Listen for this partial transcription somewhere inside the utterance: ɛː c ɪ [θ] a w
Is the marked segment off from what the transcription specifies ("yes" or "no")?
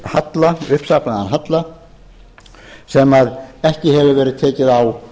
yes